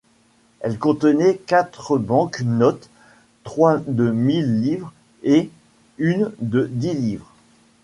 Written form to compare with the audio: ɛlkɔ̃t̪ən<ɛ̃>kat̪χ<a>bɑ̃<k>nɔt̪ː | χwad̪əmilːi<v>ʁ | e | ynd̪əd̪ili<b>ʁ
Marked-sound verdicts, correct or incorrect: incorrect, incorrect, correct, correct, incorrect

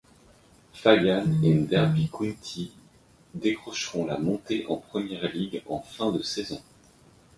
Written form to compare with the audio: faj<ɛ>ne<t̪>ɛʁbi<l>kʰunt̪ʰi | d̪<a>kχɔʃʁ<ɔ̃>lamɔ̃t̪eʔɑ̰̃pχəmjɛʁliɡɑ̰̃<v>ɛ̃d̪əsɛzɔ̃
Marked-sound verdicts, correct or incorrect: incorrect, incorrect, incorrect, incorrect, correct, incorrect

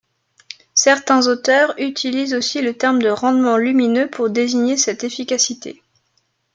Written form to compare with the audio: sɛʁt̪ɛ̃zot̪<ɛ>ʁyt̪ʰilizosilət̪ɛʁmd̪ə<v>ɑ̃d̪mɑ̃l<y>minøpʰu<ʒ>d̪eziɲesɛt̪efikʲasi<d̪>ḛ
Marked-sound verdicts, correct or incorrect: incorrect, incorrect, correct, incorrect, incorrect

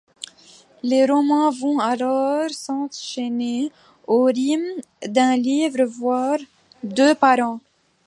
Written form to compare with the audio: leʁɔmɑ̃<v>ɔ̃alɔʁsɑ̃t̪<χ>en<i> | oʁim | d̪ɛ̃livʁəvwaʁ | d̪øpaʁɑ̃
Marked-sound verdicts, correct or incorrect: correct, incorrect, incorrect

